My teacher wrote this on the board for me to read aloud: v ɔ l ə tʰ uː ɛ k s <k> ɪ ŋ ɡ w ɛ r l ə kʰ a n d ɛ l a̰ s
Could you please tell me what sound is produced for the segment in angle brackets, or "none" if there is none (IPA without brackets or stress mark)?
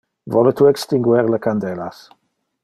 t